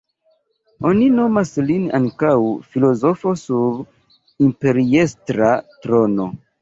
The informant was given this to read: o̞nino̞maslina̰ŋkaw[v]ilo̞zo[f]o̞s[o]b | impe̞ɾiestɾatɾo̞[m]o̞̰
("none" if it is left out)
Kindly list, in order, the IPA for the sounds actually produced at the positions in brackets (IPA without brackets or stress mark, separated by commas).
f, f, u, n